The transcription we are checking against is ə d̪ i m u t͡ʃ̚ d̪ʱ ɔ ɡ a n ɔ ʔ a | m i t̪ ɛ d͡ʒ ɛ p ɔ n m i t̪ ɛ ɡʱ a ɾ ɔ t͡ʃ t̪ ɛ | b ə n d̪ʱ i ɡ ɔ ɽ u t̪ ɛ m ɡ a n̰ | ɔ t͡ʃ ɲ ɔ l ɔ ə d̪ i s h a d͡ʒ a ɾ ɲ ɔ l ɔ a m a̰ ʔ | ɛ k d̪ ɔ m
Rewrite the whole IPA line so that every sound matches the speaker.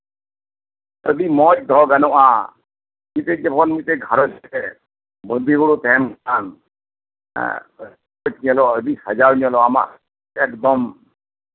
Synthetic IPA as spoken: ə d̪ i m ɔ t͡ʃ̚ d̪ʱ ɔ ɡ a n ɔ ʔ a | m i t̪ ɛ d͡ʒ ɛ p ɔ n m i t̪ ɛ ɡʱ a ɾ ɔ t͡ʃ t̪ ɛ | b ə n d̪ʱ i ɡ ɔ ɽ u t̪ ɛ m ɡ a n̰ | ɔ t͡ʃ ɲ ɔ l ɔ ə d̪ i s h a d͡ʒ a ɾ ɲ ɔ l ɔ a m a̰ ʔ | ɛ k d̪ ɔ m